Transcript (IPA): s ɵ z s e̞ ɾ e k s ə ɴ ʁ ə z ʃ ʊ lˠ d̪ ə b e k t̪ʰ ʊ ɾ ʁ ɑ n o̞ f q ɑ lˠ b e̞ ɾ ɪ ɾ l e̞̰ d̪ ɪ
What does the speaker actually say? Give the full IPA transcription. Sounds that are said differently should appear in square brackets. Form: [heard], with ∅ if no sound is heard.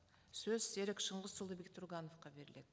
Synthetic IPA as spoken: s ɵ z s e̞ ɾ e k [ʃ] ə ɴ ʁ ə z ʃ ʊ lˠ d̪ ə b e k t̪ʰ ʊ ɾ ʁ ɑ n o̞ f q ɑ [∅] b e̞ ɾ ɪ [∅] l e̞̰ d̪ ɪ